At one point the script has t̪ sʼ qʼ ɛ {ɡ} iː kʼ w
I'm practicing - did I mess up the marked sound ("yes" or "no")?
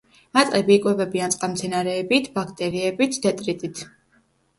yes